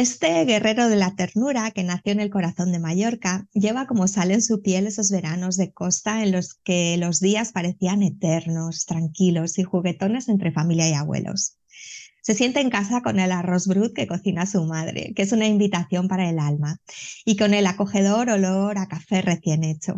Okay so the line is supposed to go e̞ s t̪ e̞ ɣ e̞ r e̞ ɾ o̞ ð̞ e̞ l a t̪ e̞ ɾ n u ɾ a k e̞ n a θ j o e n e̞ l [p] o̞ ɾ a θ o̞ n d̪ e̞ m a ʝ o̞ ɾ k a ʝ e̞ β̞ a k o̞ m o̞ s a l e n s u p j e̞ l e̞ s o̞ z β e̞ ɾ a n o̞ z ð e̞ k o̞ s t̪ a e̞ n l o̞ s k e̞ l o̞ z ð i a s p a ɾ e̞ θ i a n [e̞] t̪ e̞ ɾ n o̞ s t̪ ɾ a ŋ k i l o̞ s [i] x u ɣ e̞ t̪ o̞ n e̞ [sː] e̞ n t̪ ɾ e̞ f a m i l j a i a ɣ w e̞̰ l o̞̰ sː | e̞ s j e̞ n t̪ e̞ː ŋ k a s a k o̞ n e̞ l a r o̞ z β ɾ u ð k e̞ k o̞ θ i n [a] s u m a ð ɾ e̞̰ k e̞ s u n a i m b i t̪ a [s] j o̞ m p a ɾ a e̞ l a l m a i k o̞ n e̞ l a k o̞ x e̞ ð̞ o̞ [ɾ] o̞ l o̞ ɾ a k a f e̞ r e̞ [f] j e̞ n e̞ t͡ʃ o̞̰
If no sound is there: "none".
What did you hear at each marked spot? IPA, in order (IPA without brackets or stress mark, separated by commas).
k, e̞, i, s, a, θ, ɾ, θ